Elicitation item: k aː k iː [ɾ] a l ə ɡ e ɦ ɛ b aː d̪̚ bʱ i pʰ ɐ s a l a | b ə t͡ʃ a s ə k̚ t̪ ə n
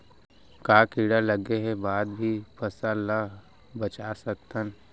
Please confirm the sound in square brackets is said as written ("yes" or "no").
no